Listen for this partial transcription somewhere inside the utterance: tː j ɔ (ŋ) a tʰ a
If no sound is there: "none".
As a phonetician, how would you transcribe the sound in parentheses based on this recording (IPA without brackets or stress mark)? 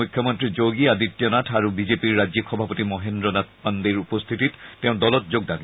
n